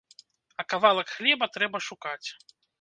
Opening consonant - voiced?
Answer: no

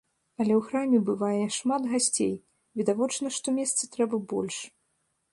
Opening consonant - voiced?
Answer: yes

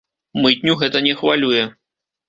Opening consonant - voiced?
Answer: yes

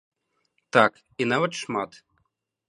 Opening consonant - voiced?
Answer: no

